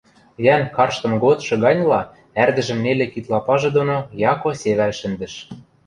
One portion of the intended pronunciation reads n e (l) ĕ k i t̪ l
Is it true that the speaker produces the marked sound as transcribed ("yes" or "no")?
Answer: yes